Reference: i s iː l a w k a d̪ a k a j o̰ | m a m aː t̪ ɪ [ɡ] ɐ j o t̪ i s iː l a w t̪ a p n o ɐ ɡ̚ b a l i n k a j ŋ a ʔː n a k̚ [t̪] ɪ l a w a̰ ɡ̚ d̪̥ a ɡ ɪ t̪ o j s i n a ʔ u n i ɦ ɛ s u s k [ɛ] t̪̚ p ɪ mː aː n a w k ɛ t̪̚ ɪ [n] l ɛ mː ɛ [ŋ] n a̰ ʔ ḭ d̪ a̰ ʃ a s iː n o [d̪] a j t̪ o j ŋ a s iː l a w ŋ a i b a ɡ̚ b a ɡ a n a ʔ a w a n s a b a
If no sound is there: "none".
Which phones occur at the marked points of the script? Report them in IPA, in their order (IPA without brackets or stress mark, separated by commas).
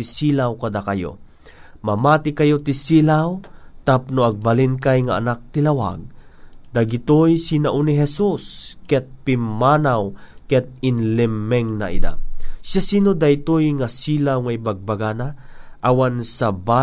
k, t̪, ɛ, n, ŋ, d̪